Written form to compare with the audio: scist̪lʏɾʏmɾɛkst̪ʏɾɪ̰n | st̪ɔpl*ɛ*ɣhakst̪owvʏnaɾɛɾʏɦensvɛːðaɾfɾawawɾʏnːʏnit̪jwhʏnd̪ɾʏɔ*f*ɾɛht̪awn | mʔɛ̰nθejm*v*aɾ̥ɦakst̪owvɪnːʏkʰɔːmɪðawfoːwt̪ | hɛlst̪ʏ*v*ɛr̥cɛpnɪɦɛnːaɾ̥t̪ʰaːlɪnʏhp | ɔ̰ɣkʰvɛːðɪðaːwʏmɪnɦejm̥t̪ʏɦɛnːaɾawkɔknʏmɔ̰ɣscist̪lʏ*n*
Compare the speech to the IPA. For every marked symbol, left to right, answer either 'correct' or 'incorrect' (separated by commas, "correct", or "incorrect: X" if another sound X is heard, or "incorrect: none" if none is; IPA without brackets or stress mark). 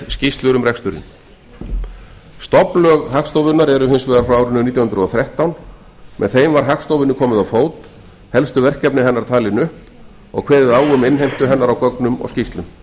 incorrect: œ, incorrect: θ, correct, correct, incorrect: m